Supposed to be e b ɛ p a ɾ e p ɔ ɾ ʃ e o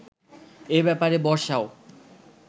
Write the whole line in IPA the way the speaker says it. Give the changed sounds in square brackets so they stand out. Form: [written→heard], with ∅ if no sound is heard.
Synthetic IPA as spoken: e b ɛ p a ɾ e [p→b] ɔ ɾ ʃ [e→a] o